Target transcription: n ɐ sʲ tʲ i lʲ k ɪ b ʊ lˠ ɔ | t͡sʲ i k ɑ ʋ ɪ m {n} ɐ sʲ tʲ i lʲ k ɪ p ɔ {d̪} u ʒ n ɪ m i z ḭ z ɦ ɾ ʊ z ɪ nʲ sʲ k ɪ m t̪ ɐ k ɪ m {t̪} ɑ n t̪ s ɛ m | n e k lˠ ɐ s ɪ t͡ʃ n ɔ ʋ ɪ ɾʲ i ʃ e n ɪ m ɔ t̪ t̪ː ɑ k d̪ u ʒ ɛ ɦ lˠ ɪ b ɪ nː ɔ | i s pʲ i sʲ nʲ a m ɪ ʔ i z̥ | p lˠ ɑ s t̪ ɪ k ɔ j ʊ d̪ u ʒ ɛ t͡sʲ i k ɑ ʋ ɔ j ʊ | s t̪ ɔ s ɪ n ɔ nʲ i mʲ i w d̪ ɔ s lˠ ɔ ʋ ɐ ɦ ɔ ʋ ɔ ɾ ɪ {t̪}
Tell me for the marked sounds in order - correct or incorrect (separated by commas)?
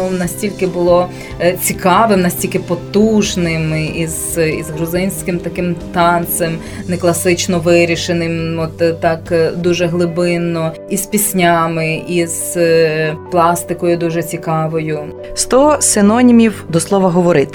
correct, incorrect, correct, correct